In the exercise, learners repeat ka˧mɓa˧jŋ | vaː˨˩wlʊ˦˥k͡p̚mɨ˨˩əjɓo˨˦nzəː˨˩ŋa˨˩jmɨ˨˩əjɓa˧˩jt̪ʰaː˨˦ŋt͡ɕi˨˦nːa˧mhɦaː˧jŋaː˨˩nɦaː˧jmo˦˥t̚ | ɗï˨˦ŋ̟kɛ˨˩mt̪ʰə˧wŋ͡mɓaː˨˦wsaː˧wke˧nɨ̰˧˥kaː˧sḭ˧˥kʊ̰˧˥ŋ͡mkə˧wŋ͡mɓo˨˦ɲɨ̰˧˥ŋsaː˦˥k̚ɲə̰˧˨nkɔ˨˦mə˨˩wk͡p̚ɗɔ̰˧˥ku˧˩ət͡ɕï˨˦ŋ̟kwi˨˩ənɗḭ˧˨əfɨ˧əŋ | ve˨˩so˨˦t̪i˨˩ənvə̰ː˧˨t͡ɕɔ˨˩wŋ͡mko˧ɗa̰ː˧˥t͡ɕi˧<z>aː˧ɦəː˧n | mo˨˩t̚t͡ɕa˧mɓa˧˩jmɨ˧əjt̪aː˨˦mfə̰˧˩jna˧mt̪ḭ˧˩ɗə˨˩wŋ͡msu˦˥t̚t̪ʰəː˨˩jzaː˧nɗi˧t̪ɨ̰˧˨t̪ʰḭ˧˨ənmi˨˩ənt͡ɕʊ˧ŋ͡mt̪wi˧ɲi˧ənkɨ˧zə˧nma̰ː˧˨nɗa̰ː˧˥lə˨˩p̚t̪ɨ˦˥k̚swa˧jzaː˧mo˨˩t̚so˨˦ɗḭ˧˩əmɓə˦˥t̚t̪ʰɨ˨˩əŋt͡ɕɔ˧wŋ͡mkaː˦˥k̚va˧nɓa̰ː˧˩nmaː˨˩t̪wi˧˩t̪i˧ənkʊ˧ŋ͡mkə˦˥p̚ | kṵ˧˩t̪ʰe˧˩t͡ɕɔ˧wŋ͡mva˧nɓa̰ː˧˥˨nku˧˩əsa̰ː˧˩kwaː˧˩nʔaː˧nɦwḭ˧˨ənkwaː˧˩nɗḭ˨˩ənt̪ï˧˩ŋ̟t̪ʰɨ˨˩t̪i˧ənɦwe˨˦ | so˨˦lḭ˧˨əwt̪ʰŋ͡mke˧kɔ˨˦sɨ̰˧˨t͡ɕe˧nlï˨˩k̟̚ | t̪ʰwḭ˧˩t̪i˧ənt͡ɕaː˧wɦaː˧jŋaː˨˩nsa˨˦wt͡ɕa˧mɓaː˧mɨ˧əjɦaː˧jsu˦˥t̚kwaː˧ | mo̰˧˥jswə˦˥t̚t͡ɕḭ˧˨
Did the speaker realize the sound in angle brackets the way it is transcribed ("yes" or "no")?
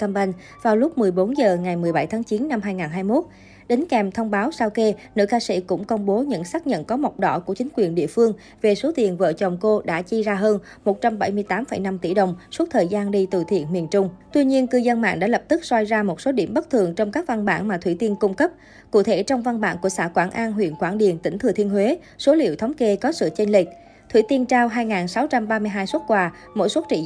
yes